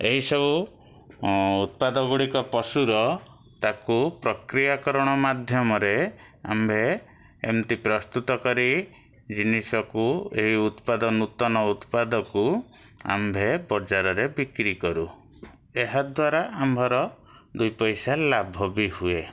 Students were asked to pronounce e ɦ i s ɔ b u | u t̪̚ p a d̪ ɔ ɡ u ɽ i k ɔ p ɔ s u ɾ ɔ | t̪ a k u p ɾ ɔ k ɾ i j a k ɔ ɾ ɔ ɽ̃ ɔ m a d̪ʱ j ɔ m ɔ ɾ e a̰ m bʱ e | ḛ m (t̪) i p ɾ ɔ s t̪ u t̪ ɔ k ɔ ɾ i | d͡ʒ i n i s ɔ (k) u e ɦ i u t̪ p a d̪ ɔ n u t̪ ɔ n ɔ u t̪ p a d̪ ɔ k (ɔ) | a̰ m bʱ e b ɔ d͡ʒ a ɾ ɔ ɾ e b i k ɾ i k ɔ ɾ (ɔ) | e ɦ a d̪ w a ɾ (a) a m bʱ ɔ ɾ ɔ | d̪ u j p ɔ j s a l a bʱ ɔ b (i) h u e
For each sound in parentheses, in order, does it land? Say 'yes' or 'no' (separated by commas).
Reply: yes, yes, no, no, yes, yes